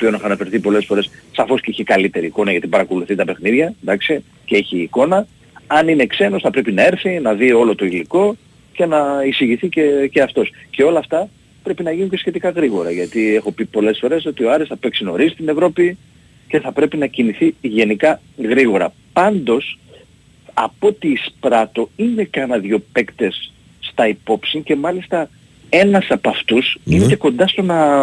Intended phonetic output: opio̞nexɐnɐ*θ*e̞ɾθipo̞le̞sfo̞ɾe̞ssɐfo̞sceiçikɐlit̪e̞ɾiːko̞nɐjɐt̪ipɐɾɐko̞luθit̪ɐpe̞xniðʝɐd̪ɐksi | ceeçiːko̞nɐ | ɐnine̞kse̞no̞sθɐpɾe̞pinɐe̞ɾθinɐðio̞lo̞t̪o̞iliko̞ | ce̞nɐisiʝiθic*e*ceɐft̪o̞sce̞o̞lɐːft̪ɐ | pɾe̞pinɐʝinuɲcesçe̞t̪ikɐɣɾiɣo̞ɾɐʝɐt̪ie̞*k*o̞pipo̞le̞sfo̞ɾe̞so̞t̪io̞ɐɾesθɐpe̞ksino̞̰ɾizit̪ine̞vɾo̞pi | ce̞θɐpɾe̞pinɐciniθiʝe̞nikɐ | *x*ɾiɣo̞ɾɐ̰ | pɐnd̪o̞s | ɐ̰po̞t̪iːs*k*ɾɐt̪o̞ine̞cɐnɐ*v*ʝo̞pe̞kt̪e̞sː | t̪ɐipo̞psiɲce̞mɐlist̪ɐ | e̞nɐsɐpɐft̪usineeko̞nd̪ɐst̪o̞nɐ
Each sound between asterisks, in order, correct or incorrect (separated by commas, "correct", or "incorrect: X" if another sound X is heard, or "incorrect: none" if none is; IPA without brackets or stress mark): incorrect: f, correct, incorrect: x, incorrect: ɣ, incorrect: p, incorrect: ð